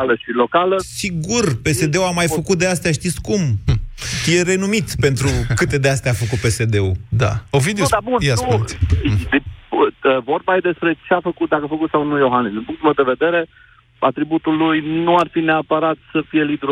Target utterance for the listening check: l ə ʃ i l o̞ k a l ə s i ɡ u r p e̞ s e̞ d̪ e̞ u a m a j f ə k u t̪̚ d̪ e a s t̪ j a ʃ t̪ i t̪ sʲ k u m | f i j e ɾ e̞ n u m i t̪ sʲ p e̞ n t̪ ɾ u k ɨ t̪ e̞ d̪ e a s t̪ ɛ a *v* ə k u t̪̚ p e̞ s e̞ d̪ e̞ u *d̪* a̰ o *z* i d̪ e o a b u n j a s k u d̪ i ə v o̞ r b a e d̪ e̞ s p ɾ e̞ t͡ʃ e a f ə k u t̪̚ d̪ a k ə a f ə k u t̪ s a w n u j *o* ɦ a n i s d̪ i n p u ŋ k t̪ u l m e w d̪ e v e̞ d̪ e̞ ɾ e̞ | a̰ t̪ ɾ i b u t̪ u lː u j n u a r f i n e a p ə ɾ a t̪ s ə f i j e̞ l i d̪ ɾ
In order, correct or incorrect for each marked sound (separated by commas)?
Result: incorrect, correct, incorrect, correct